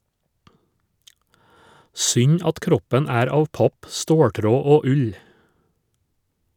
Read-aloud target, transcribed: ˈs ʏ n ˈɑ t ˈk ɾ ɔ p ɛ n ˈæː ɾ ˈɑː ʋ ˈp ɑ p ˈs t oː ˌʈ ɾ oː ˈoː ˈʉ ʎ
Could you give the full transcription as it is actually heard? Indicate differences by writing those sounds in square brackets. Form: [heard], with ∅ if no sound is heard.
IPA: ˈs ʏ [ɲ] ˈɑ t ˈk ɾ ɔ p ɛ n ˈæː ɾ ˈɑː ʋ ˈp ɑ p ˈs t oː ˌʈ ɾ oː ˈoː ˈʉ ʎ